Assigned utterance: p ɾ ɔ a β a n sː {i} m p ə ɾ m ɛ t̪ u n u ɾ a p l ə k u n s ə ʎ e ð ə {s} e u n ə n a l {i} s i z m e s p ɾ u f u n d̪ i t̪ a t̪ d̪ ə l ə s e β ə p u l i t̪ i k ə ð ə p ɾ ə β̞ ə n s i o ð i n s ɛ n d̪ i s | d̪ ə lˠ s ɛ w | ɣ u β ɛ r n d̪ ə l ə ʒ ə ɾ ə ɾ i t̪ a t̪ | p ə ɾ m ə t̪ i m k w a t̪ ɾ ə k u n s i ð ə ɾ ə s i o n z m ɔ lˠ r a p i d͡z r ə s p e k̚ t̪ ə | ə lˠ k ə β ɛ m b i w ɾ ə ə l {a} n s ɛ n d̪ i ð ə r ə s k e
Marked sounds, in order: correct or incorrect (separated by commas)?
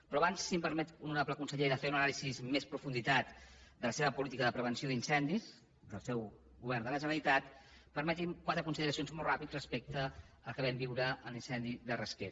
correct, incorrect, correct, incorrect